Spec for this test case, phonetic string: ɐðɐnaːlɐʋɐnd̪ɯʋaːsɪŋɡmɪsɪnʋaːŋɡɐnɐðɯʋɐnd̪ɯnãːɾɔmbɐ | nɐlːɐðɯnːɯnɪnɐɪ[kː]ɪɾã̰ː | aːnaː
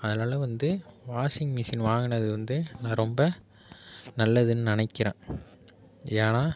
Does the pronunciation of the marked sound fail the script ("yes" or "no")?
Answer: no